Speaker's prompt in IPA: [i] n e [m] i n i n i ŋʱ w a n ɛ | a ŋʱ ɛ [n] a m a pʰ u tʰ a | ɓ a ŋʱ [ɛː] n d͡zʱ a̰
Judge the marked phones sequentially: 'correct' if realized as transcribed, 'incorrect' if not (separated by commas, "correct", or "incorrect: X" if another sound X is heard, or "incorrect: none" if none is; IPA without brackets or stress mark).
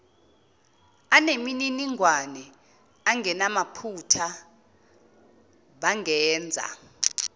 incorrect: a, correct, correct, correct